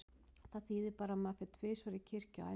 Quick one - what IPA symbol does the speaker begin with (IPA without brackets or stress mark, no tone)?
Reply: θ